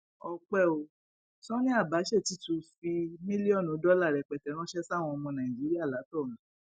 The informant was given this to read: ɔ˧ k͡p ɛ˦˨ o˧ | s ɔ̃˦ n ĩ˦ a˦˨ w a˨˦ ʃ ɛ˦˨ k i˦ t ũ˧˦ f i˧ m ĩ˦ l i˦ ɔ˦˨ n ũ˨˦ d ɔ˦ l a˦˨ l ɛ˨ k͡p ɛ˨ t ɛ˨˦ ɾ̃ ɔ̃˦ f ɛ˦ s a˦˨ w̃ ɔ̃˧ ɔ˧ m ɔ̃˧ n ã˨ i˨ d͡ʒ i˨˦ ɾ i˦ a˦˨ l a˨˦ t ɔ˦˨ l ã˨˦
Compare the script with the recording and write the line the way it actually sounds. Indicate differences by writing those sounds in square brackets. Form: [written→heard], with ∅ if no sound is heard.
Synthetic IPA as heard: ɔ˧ k͡p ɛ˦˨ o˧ | s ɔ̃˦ n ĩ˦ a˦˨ [w→b] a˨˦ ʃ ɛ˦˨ [k→t] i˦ t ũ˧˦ f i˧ m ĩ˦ l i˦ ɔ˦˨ n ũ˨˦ d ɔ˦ l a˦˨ [l→ɾ] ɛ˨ k͡p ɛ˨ t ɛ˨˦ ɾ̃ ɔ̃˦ [f→ʃ] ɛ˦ s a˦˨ w̃ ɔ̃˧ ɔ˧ m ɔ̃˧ n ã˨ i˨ d͡ʒ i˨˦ ɾ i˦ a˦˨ l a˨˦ t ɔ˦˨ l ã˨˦